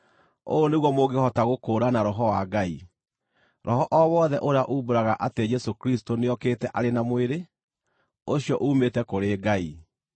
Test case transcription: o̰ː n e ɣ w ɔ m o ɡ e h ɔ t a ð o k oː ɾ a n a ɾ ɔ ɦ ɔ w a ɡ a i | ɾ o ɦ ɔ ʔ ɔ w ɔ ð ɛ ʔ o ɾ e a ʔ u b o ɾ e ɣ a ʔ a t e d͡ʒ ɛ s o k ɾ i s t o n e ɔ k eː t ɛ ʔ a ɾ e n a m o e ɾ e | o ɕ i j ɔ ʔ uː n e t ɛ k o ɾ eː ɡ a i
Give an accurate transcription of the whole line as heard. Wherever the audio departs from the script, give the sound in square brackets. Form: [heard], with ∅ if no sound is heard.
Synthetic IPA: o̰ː n e ɣ w ɔ m o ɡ e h ɔ t a [ɣ] o k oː ɾ a n a ɾ ɔ ɦ ɔ w a ɡ a i | ɾ [ɔ] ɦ ɔ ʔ ɔ w ɔ ð ɛ ʔ o ɾ e a ʔ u b o ɾ [a] ɣ a ʔ a t e d͡ʒ ɛ s o k ɾ i s t o n e ɔ k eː t ɛ ʔ a ɾ e n a m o e ɾ e | o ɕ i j ɔ ʔ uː [m] e t ɛ k o ɾ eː ɡ a i